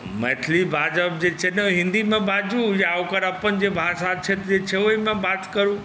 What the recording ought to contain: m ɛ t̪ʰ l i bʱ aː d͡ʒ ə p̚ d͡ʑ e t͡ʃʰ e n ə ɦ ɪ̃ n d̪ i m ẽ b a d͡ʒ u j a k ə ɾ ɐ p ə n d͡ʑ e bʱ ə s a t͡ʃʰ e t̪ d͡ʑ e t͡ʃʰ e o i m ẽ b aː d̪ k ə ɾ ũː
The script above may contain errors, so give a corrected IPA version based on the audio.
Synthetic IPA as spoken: m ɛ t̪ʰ l i bʱ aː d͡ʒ ə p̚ d͡ʑ e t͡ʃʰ e n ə ɦ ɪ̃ n d̪ i m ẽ b a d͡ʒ u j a k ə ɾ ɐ p ə n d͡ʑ e bʱ a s a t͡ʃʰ e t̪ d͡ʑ e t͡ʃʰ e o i m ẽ b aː t̪ k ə ɾ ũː